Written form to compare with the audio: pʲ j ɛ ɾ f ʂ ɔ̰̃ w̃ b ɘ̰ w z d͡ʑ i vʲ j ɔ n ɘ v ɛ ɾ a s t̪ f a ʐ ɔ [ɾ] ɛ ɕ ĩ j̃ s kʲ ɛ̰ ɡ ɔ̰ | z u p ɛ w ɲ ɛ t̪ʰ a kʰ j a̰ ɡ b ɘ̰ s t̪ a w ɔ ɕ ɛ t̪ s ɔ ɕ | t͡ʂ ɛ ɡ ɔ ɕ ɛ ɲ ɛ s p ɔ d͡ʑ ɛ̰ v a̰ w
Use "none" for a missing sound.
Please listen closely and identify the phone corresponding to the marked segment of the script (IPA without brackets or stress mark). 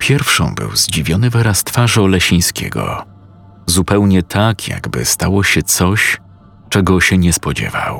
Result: l